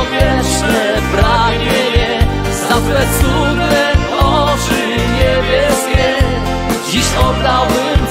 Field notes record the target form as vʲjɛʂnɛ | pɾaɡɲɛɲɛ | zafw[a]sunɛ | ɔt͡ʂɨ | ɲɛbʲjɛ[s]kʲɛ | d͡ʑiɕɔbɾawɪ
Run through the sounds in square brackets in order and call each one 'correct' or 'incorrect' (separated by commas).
incorrect, correct